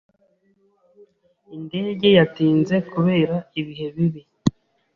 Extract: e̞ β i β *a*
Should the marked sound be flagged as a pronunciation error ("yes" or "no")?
yes